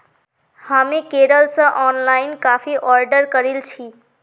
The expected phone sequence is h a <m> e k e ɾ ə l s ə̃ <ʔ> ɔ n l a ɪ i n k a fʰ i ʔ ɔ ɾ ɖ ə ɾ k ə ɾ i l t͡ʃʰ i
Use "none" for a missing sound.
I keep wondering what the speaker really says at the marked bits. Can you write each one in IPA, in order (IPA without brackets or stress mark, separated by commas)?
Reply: m, ʔ